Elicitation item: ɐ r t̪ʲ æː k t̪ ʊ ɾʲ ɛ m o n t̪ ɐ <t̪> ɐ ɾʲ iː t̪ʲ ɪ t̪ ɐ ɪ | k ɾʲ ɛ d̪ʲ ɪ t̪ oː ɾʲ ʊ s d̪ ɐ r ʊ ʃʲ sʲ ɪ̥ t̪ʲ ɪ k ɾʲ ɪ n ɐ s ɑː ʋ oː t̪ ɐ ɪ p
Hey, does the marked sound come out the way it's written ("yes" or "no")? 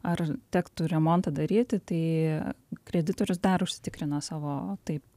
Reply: no